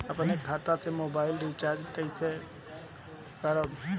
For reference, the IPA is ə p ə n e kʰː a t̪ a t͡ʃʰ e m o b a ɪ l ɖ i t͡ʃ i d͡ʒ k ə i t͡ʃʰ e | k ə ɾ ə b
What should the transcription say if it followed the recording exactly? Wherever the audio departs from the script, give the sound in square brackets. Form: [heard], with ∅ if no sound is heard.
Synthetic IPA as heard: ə p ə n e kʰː a t̪ a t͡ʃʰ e m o b a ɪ l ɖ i t͡ʃ [a] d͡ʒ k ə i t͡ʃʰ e | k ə ɾ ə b